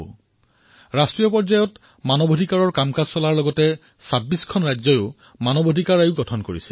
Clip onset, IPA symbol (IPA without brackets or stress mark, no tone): ɹ